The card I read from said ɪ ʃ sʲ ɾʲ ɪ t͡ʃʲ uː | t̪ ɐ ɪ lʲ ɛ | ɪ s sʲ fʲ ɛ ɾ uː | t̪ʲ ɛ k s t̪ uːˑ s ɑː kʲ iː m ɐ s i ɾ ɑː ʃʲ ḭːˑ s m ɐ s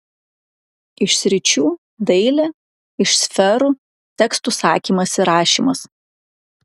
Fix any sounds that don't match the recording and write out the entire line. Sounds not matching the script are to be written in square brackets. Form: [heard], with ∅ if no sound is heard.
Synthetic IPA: ɪ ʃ sʲ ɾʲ ɪ t͡ʃʲ uː | [d̪] ɐ ɪ lʲ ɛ | ɪ [ʃ] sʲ fʲ ɛ ɾ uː | t̪ʲ ɛ k s t̪ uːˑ s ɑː kʲ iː m ɐ s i ɾ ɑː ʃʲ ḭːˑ [∅] m ɐ s